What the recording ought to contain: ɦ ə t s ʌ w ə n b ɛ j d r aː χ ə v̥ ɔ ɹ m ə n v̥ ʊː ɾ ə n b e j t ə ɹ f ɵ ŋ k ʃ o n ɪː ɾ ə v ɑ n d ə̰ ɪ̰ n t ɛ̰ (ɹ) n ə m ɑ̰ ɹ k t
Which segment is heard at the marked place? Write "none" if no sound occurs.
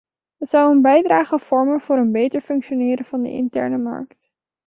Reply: ɹ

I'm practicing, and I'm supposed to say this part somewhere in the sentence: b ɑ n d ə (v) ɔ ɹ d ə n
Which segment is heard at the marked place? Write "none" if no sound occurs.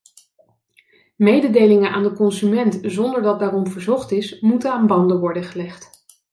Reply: ʋ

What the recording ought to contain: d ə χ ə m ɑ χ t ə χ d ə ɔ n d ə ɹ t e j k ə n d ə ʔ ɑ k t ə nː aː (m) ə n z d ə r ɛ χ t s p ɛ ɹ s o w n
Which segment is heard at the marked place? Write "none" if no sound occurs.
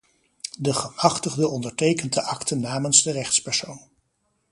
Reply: m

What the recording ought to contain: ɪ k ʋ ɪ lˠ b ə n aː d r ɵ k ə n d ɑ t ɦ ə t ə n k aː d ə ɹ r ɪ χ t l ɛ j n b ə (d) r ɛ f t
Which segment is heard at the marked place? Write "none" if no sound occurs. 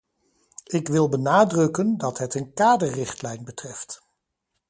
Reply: t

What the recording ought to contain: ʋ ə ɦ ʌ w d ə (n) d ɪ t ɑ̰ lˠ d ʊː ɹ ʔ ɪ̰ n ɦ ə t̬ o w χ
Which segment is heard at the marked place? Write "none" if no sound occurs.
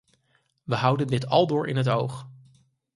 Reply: n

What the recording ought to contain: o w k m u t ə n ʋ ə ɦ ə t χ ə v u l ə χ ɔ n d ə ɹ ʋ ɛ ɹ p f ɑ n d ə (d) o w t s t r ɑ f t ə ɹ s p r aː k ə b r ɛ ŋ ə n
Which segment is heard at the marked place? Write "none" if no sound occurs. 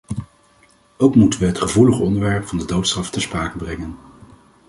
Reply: d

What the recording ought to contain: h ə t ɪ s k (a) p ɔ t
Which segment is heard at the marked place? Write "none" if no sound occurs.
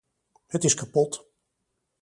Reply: a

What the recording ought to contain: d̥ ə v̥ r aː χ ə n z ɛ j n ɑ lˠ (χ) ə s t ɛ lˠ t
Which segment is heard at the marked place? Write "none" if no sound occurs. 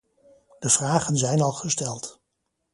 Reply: χ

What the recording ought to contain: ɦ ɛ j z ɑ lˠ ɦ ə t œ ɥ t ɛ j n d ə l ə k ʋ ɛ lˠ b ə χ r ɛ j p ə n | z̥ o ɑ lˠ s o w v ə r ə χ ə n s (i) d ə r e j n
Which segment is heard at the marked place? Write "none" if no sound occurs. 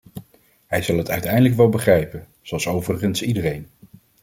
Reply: i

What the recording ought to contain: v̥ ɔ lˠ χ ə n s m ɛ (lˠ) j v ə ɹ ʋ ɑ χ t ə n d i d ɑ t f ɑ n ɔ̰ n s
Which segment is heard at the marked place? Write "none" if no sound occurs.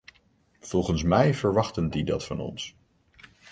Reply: none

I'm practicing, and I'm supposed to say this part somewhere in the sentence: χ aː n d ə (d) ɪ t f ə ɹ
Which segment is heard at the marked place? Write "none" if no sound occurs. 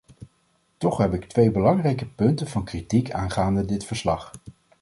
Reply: d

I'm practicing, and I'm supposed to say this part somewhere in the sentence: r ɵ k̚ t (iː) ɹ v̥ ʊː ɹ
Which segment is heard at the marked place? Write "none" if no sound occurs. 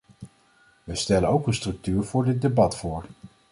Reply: yː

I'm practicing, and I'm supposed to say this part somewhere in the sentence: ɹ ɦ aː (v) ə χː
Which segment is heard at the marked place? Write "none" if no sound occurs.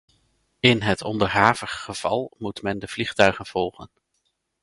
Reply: v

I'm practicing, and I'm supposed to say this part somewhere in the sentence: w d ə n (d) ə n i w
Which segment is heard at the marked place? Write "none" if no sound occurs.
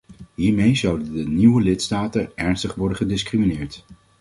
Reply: d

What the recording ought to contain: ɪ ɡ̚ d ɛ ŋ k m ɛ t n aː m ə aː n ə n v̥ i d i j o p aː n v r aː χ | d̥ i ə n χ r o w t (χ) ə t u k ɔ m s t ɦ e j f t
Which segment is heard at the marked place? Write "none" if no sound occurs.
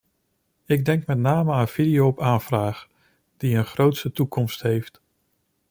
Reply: s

